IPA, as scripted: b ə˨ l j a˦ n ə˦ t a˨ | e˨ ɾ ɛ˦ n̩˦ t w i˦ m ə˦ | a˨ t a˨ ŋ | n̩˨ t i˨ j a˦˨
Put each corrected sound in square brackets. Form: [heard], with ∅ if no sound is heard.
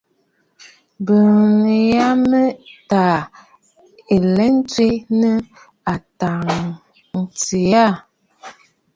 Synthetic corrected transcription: b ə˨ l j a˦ [m] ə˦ t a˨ | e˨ [l] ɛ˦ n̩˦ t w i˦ [n] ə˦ | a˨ t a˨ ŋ | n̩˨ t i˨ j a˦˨